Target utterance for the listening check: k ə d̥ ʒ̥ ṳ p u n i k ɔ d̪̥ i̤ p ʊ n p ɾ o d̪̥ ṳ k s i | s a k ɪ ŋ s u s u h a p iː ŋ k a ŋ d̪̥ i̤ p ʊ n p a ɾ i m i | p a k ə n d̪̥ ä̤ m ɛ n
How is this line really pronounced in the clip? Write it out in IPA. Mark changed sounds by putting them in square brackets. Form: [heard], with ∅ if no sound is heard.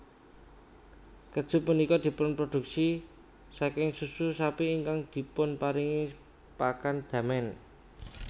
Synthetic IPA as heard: k ə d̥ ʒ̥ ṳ p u n i k ɔ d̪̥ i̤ p ʊ n p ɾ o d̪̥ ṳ k s i | s a k ɪ ŋ s u s u [s] a p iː ŋ k a ŋ d̪̥ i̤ p ʊ n p a ɾ i [ŋ] i | p a k [a] n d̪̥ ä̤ m ɛ n